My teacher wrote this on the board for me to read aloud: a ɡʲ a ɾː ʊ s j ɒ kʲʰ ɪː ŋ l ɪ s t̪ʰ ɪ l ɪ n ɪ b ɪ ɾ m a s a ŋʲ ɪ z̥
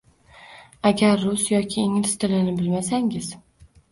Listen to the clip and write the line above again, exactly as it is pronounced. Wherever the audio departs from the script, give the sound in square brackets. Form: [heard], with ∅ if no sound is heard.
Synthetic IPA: a ɡʲ a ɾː ʊ s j ɒ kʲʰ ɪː ŋ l ɪ s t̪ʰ ɪ l ɪ n ɪ b ɪ [l] m a s a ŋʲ ɪ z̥